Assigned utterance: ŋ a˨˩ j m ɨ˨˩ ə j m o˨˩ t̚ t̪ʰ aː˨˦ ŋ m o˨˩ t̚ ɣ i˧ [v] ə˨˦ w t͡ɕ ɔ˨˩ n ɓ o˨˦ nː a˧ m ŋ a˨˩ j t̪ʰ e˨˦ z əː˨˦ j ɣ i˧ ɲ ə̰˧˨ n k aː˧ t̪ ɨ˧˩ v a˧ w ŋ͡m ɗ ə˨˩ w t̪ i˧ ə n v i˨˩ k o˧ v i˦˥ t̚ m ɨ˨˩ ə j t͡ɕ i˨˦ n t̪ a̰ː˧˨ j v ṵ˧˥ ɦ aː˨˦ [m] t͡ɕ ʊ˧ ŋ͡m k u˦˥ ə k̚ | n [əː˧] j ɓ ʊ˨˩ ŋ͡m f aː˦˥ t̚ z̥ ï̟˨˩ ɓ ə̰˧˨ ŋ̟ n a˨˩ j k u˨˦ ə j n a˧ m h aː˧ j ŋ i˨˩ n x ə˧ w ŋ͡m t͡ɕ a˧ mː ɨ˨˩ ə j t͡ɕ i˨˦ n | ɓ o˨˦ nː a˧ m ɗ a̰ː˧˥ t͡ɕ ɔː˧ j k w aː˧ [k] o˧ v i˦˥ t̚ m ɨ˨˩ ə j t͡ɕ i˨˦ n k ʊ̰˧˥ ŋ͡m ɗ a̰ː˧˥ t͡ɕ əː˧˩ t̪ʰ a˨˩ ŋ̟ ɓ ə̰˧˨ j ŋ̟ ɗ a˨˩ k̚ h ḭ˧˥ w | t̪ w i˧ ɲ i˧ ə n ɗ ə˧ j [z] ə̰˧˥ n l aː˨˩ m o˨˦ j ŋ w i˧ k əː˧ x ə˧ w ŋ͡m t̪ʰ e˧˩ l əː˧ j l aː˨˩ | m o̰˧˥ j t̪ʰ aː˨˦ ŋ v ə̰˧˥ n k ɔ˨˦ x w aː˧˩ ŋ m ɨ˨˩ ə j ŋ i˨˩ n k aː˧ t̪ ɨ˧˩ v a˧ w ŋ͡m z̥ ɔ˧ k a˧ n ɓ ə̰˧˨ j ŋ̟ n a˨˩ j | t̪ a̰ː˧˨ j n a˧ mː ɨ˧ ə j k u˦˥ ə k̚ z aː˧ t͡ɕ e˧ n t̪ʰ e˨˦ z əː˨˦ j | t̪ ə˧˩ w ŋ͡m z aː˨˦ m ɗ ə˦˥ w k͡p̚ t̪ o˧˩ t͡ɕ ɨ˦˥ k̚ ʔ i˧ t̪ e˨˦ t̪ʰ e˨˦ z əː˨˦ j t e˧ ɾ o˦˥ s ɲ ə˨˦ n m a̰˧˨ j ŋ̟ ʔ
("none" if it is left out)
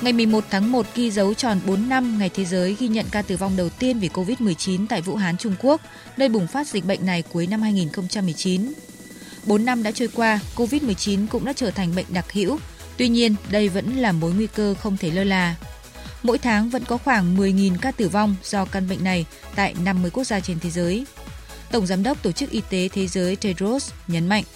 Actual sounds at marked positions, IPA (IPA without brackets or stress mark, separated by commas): z, n, əː˧, k, v